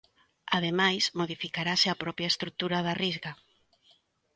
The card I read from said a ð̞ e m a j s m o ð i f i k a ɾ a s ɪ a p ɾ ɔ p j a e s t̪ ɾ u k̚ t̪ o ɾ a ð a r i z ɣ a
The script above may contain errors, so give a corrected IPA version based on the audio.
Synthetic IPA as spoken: a ð̞ e m a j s m o ð i f i k a ɾ a s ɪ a p ɾ ɔ p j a e s t̪ ɾ u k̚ t̪ u ɾ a ð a r i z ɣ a

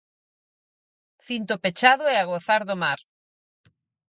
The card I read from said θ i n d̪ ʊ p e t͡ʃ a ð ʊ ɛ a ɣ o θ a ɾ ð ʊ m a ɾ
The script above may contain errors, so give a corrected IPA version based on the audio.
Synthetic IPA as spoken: θ i n t̪ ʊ p e t͡ʃ a ð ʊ ɛ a ɣ o θ a ɾ ð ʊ m a ɾ

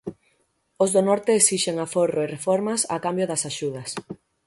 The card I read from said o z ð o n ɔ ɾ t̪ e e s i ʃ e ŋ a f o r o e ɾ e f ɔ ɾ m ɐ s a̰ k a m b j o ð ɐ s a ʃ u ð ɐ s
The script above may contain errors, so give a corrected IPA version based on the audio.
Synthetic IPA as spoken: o z ð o n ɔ ɾ t̪ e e s i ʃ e ŋ a f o r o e r e f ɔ ɾ m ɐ s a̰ k a m b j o ð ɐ s a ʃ u ð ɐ s

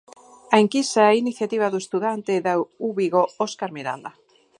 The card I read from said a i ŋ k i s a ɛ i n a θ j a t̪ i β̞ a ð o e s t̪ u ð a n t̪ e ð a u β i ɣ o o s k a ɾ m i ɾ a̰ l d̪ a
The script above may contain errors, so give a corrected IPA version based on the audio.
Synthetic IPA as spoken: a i ŋ k i s a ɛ i n i θ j a t̪ i β̞ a ð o e s t̪ u ð a n t̪ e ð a u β i ɣ o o s k a ɾ m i ɾ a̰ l d̪ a

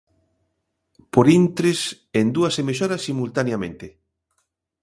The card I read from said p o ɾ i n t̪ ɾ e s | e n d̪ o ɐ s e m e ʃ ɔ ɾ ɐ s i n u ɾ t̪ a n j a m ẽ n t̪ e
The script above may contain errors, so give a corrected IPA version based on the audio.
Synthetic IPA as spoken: p o ɾ i n t̪ ɾ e s | e n d̪ u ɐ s e m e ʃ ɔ ɾ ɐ s i m u l t̪ a n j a m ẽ n t̪ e

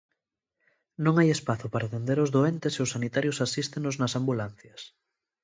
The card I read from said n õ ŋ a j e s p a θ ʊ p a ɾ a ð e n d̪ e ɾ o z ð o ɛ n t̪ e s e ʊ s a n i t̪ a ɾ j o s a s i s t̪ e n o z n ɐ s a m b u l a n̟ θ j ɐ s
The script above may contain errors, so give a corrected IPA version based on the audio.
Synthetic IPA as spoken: n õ ŋ a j e s p a θ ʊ p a ɾ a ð e n d̪ e ɾ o z ð o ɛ n t̪ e s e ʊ s a n i t̪ a ɾ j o s a s i s t̪ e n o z n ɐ s a m b u l a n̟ θ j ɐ s

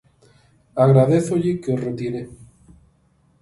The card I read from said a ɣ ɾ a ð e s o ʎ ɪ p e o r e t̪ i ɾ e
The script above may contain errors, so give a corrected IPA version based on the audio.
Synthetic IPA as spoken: a ɣ ɾ a ð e θ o ʎ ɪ k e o r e t̪ i ɾ e

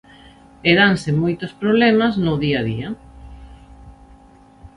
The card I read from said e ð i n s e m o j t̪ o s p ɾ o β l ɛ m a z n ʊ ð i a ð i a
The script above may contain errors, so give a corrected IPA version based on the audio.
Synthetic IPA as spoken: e ð a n s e m o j t̪ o s p ɾ o β l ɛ m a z n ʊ ð i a ð i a

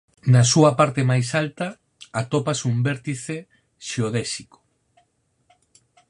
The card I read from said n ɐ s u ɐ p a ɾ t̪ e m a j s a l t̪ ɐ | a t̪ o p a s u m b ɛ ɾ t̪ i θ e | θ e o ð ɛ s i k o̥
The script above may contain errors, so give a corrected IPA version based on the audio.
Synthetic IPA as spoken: n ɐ s u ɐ p a ɾ t̪ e m a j s a l t̪ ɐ | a t̪ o p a s u m b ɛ ɾ t̪ i θ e | ʃ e o ð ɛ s i k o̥

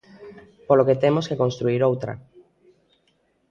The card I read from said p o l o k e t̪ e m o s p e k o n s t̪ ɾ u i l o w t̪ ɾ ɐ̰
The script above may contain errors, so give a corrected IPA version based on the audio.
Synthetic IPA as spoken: p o l o k e t̪ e m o s k e k o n s t̪ ɾ u i ɾ o w t̪ ɾ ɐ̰

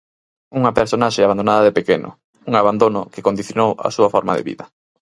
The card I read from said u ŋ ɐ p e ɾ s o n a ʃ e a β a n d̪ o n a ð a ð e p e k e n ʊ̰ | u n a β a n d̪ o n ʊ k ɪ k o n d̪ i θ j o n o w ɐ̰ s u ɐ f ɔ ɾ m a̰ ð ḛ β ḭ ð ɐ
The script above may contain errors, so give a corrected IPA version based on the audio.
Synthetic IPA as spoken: u ŋ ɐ p e ɾ s o n a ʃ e a β a n d̪ o n a ð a ð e p e k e n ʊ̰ | u ŋ a β a n d̪ o n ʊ k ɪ k o n d̪ i θ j o n o w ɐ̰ s u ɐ f ɔ ɾ m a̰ ð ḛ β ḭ ð ɐ

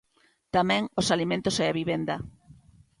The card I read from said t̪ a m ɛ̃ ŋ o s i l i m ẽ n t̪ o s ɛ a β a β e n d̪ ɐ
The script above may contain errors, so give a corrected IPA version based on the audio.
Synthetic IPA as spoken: t̪ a m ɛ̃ ŋ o s a l i m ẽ n t̪ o s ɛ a β i β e n d̪ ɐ

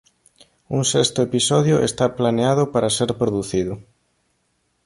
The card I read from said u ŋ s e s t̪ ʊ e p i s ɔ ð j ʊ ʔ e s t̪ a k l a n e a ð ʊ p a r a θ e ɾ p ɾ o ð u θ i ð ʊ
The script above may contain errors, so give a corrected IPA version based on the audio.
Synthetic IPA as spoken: u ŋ s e s t̪ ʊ e p i s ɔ ð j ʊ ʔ e s t̪ a p l a n e a ð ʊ p a ɾ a s e ɾ p ɾ o ð u θ i ð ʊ

